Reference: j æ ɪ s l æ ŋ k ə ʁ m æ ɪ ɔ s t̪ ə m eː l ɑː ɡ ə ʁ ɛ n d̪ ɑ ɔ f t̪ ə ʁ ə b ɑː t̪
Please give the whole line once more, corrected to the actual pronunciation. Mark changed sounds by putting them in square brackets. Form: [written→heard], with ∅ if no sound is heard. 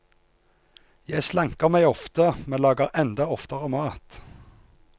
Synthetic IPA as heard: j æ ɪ s l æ ŋ k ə ʁ m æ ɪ ɔ [s→f] t̪ ə m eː l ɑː ɡ ə ʁ ɛ n d̪ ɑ ɔ f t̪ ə ʁ ə [b→m] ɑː t̪